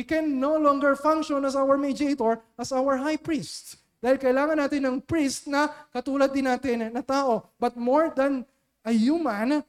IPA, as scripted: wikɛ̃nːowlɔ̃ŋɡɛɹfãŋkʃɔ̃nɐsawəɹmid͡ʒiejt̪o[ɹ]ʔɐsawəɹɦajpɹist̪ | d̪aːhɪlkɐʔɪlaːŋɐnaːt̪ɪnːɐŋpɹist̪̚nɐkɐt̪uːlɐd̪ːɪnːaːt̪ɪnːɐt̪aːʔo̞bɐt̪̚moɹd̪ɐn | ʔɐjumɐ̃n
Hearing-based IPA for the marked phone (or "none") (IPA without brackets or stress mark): ɹ